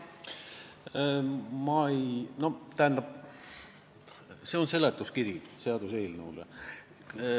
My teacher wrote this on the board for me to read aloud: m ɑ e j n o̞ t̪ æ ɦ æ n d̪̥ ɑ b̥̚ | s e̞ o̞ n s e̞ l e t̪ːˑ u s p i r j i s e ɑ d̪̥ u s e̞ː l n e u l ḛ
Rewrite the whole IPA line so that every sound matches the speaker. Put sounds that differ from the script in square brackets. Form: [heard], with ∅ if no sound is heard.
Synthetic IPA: m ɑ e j n o̞ t̪ æ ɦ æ n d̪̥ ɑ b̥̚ | s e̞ o̞ n s e̞ l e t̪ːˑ u s [k] i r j i s e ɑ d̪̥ u s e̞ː l n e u l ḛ